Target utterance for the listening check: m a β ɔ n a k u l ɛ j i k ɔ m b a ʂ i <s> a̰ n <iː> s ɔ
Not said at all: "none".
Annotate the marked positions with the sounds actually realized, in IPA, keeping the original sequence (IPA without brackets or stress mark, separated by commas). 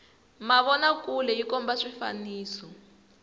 f, iː